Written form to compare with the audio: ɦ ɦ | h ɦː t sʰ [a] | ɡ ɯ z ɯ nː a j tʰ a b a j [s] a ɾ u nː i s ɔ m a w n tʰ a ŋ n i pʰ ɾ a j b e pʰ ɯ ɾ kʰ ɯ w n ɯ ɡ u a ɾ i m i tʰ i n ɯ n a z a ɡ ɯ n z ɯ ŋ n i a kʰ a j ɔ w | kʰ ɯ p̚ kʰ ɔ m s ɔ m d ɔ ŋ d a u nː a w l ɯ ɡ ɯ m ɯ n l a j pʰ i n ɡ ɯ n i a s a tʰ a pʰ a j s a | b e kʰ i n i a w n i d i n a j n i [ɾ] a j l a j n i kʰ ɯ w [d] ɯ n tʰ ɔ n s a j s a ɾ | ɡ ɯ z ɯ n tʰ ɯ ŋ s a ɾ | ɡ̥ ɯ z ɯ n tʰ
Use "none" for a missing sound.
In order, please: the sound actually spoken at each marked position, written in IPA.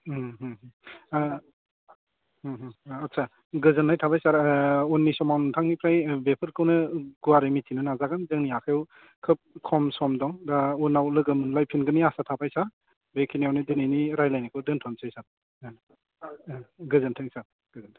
a, s, ɾ, d

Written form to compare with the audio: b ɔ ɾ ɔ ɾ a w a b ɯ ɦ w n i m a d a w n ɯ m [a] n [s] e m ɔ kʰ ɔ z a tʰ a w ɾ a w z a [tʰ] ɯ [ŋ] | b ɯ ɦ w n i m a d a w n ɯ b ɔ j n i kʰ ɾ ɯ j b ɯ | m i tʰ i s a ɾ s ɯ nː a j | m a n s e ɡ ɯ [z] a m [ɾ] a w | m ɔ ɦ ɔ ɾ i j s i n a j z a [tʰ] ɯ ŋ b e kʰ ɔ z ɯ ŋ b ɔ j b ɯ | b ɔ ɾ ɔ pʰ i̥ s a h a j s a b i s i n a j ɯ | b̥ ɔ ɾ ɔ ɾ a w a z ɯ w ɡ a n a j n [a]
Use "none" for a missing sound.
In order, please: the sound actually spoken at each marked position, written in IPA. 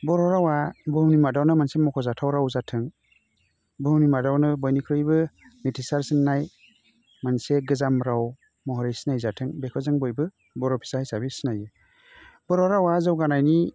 a, s, tʰ, ŋ, z, ɾ, tʰ, i

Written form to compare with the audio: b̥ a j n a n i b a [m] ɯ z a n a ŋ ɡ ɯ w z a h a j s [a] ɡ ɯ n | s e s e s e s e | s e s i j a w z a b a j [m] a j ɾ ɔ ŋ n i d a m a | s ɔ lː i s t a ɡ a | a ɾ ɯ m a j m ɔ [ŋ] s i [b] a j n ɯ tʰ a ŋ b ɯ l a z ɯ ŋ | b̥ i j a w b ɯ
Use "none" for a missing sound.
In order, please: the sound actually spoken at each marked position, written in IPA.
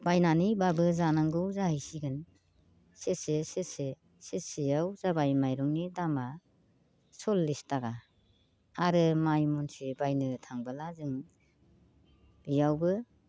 b, i, m, n, b

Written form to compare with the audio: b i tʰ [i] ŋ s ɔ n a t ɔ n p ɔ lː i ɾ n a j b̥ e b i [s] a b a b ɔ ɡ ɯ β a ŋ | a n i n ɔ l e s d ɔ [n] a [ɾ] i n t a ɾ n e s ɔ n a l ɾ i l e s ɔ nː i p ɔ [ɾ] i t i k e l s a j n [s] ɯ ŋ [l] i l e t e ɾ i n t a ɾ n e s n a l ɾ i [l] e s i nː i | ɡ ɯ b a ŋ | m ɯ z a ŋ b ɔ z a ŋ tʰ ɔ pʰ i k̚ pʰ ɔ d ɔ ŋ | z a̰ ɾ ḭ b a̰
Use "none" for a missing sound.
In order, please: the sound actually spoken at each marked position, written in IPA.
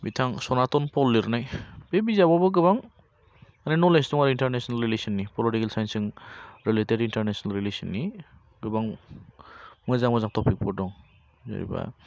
a, z, ŋ, ɾ, l, s, ɾ, l

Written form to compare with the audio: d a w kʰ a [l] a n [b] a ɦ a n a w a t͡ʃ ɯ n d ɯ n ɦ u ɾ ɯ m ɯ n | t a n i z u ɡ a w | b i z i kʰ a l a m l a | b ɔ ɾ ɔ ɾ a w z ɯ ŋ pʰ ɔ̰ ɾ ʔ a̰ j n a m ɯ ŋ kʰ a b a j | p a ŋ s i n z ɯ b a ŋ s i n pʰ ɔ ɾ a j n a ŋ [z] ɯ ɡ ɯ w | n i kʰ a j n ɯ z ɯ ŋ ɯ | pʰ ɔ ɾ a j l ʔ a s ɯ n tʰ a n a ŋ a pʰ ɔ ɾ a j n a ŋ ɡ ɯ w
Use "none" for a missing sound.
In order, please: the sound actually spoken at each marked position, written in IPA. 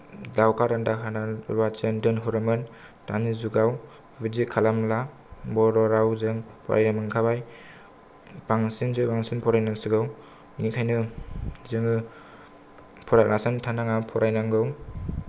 ɾ, d, s

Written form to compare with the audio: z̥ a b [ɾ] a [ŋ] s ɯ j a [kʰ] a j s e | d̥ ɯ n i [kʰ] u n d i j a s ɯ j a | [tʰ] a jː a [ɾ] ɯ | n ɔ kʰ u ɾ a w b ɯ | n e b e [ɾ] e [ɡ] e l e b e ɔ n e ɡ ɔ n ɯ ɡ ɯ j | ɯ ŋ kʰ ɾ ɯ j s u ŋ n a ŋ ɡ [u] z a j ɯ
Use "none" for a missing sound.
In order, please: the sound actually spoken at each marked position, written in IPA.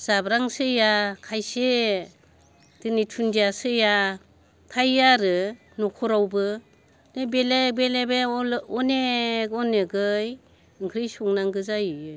ɾ, ŋ, kʰ, tʰ, tʰ, ɾ, l, b, ɯ

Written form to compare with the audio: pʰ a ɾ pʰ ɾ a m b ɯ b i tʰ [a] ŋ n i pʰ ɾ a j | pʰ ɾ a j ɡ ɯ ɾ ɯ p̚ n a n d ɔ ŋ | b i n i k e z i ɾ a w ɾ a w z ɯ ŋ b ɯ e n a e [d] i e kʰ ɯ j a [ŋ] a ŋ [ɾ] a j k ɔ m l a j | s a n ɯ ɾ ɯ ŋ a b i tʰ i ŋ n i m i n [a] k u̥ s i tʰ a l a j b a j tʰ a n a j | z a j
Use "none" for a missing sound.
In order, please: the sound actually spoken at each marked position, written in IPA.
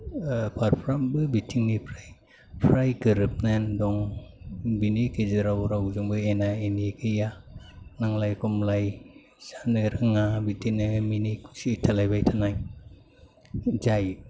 i, n, n, l, i

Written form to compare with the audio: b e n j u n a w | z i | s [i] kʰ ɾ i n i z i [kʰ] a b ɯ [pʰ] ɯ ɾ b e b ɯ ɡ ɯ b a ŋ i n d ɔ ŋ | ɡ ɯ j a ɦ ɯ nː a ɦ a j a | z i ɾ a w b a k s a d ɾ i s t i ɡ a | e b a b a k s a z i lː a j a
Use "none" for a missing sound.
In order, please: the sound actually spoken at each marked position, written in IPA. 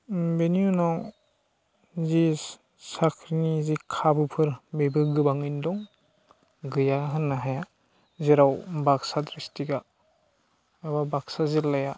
a, kʰ, pʰ

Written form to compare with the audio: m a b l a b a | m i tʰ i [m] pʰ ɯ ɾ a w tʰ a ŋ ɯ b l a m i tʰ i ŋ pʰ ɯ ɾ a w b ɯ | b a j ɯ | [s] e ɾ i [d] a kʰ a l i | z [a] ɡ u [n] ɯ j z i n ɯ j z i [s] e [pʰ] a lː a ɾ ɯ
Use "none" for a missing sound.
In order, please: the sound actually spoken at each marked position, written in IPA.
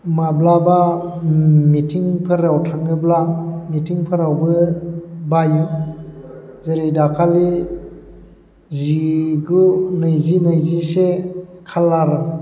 ŋ, z, d, i, n, s, kʰ

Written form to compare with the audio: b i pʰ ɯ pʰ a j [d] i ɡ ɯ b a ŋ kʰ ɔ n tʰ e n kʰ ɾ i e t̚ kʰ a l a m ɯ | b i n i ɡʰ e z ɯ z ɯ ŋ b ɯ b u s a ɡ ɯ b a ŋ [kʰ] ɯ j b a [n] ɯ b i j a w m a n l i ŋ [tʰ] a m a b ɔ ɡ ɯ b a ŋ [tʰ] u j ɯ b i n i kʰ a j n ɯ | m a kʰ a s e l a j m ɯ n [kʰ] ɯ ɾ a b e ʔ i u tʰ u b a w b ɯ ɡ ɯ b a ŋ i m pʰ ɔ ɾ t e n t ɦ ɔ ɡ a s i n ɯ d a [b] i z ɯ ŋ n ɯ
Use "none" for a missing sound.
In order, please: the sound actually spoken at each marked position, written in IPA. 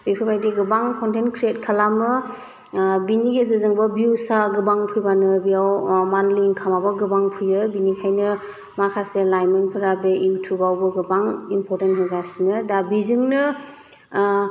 d, pʰ, n, kʰ, pʰ, pʰ, b

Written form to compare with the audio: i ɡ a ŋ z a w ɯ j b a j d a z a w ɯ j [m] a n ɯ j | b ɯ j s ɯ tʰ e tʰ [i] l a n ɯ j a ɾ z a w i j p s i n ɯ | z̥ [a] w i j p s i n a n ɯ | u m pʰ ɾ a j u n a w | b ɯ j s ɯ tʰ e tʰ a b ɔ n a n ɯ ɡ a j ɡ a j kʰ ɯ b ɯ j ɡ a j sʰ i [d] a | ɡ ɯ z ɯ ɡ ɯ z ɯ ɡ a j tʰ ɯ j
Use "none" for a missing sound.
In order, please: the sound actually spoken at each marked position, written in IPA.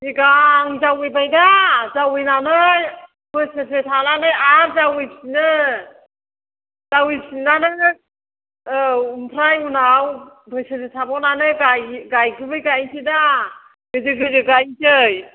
n, a, a, d

